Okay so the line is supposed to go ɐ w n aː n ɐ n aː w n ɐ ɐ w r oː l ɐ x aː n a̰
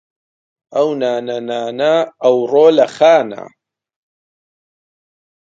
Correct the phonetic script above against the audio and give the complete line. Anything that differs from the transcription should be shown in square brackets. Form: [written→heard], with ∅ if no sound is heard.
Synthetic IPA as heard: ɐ w n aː n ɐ n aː [w→∅] n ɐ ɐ w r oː l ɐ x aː n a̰